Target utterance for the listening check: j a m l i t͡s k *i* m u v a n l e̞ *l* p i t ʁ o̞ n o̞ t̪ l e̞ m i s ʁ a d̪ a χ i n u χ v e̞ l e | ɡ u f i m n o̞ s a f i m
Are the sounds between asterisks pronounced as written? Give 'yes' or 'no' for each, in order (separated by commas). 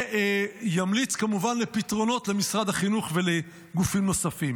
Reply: no, no